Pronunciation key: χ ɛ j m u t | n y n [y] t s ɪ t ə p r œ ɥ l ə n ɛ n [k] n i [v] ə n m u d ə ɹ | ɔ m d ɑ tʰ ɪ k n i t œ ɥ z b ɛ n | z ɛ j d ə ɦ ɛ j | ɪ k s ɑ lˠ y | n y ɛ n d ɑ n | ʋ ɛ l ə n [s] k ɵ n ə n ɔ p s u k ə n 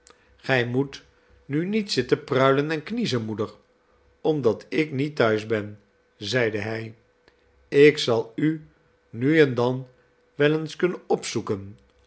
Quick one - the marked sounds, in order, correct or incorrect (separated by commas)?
incorrect, correct, incorrect, correct